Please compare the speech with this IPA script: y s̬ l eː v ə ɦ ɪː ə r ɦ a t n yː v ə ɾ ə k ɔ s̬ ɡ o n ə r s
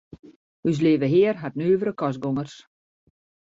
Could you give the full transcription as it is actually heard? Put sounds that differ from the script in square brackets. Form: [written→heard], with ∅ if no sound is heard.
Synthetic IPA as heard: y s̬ l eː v ə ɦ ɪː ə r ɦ a t n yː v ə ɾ ə k ɔ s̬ ɡ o [n→ŋ] ə r s